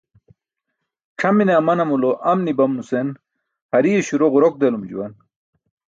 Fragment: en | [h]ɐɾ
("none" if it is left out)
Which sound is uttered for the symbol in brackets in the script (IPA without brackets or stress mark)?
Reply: h